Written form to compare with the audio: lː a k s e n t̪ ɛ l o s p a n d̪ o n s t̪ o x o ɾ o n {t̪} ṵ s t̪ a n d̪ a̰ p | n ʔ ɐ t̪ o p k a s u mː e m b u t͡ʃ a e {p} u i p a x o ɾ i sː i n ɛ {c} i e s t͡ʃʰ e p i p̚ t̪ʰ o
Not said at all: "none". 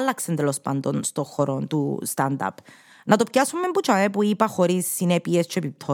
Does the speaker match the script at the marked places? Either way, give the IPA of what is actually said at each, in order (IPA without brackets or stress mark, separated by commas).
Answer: t̪, p, p